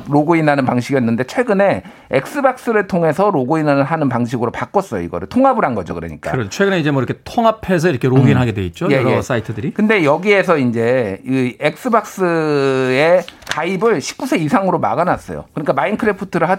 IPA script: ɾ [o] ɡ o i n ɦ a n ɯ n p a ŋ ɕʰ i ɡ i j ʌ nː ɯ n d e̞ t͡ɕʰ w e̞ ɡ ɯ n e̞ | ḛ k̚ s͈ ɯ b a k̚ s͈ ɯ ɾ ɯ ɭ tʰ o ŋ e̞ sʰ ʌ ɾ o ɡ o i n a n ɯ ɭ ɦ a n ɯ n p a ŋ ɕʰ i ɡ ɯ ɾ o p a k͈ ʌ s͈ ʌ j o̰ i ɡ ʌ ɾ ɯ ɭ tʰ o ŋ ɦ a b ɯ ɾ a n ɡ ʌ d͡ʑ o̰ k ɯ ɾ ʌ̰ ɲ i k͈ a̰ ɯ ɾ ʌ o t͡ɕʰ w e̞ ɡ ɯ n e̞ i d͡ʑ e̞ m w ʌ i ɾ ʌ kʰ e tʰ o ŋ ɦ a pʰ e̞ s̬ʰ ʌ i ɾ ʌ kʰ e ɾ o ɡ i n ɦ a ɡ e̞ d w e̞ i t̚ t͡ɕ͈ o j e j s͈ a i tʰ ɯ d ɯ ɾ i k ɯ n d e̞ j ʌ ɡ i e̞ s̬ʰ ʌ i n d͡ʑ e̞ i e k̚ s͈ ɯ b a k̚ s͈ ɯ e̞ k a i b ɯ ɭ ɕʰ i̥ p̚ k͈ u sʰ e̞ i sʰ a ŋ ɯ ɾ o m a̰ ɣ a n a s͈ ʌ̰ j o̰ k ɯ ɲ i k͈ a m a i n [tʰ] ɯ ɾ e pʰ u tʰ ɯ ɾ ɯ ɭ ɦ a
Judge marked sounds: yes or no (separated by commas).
yes, no